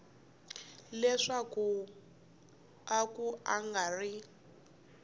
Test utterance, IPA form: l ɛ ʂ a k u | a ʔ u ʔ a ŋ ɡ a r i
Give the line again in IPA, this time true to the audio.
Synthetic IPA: l ɛ ʂ a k u | a k u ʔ a ŋ ɡ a r i